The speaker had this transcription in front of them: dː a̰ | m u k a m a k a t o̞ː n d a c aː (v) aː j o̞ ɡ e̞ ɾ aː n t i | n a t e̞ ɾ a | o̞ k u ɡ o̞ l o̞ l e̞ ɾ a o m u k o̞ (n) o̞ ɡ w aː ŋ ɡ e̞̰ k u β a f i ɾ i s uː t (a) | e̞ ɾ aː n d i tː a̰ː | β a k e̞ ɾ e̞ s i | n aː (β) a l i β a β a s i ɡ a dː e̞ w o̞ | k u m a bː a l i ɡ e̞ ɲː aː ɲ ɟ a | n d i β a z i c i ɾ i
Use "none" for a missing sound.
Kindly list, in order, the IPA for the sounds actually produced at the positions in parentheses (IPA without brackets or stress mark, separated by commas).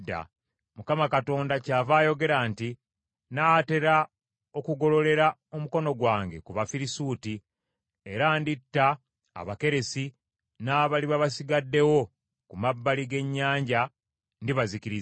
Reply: v, n, i, β